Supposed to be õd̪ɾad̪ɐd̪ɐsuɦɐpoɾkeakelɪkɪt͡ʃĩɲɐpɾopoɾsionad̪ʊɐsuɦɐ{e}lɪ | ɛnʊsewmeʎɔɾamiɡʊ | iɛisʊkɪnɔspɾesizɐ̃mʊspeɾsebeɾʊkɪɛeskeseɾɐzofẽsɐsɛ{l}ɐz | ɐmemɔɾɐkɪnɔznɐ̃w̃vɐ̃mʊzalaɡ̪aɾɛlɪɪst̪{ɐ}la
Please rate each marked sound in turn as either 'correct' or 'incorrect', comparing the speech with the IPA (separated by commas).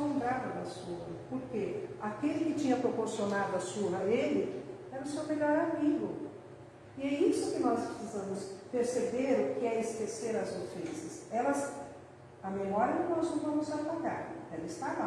correct, correct, incorrect